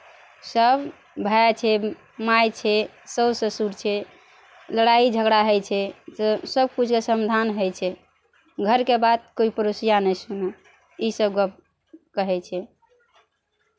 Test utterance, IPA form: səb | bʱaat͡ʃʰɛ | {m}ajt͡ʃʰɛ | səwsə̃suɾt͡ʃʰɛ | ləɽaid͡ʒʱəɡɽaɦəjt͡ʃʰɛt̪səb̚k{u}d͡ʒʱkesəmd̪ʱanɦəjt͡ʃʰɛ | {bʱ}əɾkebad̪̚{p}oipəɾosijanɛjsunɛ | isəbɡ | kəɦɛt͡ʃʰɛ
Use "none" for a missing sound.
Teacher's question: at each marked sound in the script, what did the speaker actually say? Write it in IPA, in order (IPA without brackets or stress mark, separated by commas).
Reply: m, u, ɡʱ, k